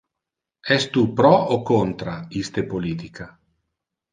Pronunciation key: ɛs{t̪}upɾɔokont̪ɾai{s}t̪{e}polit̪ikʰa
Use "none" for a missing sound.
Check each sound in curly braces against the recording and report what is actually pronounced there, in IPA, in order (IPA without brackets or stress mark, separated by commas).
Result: t̪, s, e